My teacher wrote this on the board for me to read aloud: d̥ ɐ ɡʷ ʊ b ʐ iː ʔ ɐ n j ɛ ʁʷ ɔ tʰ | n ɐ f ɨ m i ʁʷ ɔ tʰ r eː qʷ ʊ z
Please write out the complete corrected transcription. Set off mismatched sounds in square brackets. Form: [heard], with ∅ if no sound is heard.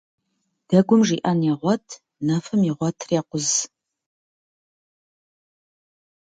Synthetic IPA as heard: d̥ ɐ ɡʷ ʊ [m] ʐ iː ʔ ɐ n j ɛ ʁʷ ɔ tʰ | n ɐ f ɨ m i ʁʷ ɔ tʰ r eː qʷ ʊ z